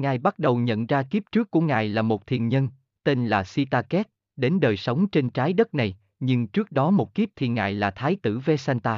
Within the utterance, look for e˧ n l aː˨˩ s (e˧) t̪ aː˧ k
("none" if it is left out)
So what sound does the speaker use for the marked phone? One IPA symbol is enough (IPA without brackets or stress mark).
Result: i˧